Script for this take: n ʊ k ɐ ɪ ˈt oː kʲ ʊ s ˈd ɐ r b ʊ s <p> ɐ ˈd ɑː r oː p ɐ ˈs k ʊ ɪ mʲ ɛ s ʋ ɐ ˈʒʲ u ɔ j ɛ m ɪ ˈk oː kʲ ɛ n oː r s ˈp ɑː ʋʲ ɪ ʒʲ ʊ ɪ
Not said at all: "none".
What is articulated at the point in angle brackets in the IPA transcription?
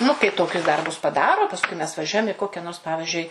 p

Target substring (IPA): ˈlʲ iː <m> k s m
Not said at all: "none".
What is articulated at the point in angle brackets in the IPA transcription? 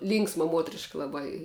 ŋ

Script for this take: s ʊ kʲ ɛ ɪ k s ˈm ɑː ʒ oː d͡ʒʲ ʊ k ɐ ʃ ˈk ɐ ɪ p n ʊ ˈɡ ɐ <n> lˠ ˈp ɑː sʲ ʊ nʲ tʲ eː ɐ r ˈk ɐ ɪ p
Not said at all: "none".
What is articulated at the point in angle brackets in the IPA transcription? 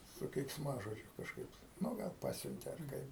none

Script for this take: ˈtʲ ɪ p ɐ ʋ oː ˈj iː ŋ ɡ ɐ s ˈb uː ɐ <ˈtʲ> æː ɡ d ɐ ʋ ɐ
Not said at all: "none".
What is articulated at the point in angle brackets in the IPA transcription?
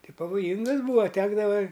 tʲ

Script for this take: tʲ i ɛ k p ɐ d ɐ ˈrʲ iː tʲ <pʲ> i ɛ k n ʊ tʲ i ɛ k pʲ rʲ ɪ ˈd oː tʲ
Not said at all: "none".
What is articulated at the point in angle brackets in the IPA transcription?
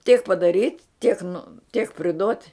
tʲ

